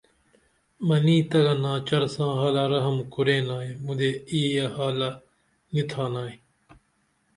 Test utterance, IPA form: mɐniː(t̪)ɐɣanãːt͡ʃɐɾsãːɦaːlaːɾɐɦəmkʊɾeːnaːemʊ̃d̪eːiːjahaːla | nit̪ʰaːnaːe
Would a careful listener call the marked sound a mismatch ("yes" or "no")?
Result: no